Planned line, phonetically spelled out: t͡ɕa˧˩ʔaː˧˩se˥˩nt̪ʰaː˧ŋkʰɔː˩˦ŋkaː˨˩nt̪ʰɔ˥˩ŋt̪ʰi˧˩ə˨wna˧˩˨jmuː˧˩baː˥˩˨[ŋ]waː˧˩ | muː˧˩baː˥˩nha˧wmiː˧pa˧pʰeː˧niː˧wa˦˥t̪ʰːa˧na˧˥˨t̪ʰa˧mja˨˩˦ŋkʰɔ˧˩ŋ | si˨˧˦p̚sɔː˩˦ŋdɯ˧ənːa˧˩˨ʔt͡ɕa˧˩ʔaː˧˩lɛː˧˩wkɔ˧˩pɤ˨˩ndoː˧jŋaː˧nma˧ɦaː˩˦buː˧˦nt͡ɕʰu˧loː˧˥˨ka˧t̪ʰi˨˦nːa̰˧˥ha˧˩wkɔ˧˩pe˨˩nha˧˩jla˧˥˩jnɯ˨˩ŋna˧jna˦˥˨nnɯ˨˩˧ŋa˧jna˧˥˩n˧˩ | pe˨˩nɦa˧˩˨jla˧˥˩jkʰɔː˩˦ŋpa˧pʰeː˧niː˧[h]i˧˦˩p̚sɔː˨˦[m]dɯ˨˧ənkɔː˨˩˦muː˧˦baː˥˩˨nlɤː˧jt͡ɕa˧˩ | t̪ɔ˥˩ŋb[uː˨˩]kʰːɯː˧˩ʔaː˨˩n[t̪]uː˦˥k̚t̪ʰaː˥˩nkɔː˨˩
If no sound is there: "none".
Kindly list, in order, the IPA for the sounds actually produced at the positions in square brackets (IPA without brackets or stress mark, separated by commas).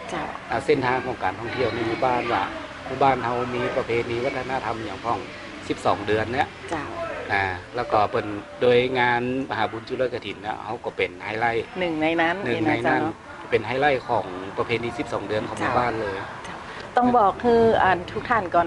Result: n, s, ŋ, ɔː˨˩, t̪ʰ